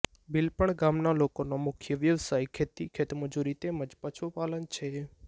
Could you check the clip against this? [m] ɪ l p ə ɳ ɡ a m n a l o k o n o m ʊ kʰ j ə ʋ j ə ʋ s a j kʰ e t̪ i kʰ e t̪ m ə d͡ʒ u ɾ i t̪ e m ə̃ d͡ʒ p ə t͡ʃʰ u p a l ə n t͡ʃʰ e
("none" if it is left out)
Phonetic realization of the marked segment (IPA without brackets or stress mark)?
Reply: b